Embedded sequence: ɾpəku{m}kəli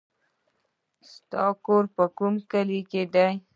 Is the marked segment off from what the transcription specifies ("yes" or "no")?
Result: no